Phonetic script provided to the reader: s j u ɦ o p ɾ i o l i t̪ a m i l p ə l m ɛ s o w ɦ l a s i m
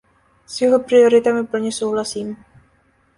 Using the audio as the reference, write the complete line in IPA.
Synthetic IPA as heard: s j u ɦ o p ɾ i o ɾ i t̪ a m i p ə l ɲ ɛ s o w ɦ l a s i m